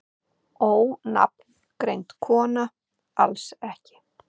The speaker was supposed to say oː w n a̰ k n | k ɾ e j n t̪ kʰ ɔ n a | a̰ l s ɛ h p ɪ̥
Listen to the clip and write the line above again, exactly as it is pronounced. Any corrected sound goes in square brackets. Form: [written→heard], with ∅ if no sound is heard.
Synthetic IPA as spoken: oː w n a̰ [k→p] n | k ɾ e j n t̪ kʰ [ɔ→ɔː] n a | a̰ l s ɛ h [p→c] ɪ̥